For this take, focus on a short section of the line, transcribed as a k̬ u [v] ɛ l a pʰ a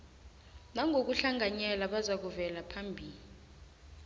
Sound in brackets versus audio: correct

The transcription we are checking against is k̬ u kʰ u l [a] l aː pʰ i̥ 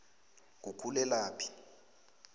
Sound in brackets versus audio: incorrect: ɛ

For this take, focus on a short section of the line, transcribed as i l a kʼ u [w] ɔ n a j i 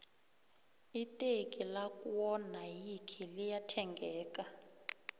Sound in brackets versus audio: correct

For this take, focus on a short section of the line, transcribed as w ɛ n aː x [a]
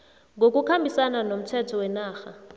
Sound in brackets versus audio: correct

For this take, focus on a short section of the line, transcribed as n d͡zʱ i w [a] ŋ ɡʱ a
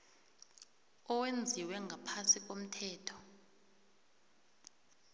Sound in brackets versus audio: incorrect: ɛ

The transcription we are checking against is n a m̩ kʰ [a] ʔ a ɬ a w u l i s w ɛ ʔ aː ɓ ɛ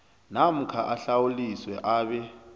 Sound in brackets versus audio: correct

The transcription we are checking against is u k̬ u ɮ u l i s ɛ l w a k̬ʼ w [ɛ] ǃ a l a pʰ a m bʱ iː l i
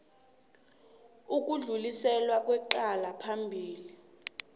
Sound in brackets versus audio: correct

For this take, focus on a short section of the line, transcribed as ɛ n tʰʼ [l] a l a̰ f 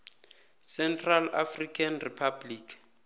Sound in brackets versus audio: incorrect: r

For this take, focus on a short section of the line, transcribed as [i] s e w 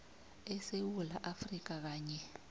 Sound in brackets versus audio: incorrect: ɛ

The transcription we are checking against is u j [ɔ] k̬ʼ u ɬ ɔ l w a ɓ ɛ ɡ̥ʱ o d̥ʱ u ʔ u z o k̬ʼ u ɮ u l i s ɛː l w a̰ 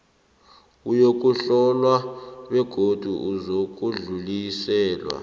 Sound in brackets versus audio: incorrect: o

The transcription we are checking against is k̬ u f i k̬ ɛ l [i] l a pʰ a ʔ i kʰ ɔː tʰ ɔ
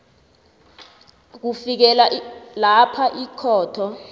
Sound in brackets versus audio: incorrect: a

